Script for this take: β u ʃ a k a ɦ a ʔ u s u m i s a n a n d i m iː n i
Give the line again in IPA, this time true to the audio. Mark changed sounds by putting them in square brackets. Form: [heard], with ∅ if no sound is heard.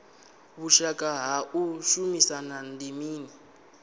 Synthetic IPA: β u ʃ a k a ɦ a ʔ u [ʃ] u m i s a n a n d i m iː n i